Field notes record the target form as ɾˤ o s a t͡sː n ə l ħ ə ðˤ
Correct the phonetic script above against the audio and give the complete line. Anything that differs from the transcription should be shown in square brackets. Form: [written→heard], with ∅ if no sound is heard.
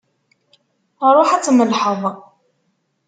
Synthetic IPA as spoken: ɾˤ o [s→ħ] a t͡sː [n→m] ə l ħ ə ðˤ